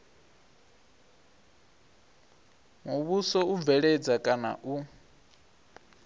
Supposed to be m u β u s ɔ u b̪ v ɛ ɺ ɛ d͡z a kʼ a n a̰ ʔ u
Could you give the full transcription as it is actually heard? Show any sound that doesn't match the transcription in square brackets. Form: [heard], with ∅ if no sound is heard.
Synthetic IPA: m u β u s ɔ u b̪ v ɛ ɺ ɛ d͡z a kʼ a n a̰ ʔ u